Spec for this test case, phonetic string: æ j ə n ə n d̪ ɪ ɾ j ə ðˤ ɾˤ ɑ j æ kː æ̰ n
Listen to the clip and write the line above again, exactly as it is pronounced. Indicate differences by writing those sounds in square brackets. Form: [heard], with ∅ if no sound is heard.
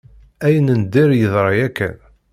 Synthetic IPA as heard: æ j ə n ə n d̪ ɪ ɾ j ə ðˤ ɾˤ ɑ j æ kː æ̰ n